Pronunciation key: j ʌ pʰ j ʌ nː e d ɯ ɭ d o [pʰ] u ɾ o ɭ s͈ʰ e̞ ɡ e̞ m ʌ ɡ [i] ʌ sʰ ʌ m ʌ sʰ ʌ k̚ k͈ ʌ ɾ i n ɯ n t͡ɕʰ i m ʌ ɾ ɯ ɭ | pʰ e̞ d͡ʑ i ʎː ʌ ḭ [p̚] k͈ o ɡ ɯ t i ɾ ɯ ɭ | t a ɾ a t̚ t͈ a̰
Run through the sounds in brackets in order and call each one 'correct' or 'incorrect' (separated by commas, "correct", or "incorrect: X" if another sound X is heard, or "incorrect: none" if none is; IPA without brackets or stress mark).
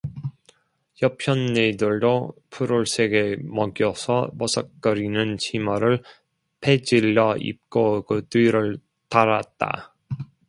correct, incorrect: j, correct